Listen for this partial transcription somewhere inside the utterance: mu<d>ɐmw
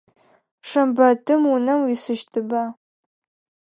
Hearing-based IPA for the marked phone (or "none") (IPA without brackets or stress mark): n